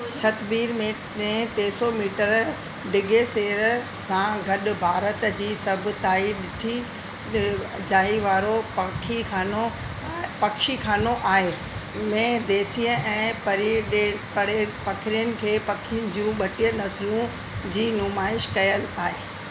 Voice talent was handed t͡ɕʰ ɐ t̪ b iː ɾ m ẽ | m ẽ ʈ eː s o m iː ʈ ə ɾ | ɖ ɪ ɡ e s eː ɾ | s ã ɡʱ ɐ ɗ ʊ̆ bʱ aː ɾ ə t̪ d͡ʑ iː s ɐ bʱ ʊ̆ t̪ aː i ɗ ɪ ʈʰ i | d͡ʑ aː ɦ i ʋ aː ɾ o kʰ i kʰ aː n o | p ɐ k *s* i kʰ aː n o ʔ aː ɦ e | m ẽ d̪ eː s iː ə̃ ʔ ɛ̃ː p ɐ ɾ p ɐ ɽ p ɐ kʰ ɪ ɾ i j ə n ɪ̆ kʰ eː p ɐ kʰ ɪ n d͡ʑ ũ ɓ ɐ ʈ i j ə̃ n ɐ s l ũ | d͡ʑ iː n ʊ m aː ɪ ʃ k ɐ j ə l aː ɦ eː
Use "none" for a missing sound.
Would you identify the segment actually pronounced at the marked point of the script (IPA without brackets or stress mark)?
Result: ʃ